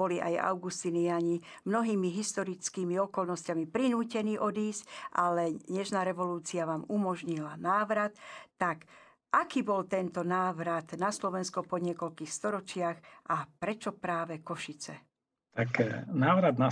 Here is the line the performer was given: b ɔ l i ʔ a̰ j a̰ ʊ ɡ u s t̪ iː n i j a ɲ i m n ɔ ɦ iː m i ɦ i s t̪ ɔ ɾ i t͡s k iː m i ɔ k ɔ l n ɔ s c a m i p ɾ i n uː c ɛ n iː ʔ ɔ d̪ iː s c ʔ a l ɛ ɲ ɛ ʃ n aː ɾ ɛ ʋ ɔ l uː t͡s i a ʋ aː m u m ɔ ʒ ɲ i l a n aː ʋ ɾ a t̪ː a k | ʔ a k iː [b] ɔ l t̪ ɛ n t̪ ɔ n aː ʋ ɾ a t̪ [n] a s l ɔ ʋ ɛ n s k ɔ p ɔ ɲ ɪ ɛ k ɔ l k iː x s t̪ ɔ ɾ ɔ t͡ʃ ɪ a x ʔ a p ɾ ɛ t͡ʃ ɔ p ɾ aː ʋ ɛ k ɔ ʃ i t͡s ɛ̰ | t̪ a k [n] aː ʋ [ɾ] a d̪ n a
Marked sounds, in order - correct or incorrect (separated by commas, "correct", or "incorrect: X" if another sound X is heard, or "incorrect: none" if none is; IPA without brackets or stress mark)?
correct, correct, correct, correct